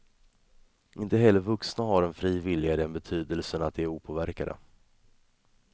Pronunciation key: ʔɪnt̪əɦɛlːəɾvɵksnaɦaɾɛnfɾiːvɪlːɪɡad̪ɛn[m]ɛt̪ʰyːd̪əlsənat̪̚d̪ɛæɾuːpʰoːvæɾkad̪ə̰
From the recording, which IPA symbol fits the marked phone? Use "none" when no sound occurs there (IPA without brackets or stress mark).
b